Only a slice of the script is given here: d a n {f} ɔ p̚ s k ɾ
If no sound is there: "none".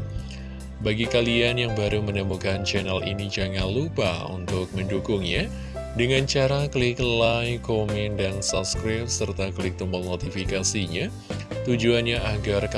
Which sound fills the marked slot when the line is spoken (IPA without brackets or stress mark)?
s